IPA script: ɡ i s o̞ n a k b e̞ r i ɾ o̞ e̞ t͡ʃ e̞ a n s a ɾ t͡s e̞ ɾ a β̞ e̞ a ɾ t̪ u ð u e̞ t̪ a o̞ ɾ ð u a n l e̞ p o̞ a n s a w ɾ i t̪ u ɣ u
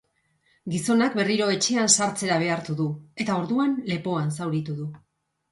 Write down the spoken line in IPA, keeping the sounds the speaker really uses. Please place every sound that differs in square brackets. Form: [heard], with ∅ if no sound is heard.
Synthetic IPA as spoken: ɡ i s o̞ n a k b e̞ r i ɾ o̞ e̞ t͡ʃ e̞ a n s a ɾ t͡s e̞ ɾ a β̞ e̞ a ɾ t̪ u ð u e̞ t̪ a o̞ ɾ ð u a n l e̞ p o̞ a n s a w ɾ i t̪ u [ð] u